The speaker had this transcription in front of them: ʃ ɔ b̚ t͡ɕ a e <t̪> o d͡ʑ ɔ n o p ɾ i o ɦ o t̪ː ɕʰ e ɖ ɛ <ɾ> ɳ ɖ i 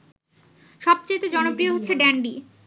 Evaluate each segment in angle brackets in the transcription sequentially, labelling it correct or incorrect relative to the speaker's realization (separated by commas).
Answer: correct, incorrect